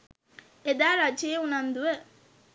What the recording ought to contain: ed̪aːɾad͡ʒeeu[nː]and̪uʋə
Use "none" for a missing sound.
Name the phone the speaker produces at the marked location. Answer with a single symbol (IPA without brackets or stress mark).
n